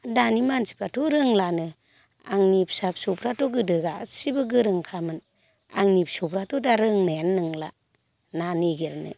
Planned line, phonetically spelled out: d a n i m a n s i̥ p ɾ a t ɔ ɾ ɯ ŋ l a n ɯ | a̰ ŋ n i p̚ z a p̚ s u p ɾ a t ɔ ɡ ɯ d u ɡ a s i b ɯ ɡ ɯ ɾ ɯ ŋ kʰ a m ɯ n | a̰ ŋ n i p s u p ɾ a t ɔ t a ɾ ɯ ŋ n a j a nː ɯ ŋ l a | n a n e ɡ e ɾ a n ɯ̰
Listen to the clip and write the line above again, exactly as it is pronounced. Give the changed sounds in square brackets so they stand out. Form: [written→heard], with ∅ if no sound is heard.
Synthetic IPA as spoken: d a n i m a n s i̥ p ɾ a t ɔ ɾ ɯ ŋ l a n ɯ | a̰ ŋ n i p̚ [z→s] a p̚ s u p ɾ a t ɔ ɡ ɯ d [u→ɯ] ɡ a s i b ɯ ɡ ɯ ɾ ɯ ŋ kʰ a m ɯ n | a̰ ŋ n i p s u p ɾ a t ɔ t a ɾ ɯ ŋ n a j a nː ɯ ŋ l a | n a n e ɡ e ɾ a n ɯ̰